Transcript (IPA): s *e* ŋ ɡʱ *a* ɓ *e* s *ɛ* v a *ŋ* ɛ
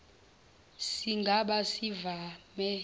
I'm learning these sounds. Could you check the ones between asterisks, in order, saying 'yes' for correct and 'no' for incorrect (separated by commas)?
no, yes, no, no, no